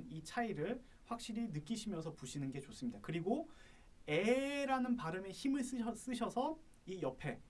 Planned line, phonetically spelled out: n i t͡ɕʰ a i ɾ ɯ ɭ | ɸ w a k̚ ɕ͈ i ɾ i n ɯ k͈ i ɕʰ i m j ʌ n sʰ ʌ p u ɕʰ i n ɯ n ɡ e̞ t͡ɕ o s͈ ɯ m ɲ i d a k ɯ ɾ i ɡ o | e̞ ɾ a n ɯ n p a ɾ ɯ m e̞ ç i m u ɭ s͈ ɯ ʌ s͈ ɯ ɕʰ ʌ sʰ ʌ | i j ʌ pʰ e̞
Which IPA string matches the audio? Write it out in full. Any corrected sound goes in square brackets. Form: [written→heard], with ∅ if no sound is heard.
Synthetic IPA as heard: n i t͡ɕʰ a i ɾ ɯ ɭ | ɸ w a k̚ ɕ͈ i ɾ i n ɯ k͈ i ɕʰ i m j ʌ n sʰ ʌ p u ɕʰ i n ɯ n ɡ e̞ t͡ɕ o s͈ ɯ m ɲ i d a k ɯ ɾ i ɡ o | e̞ ɾ a n ɯ n p a ɾ ɯ m e̞ ç i m [u→ɯ] ɭ s͈ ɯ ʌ s͈ ɯ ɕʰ ʌ sʰ ʌ | i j ʌ pʰ e̞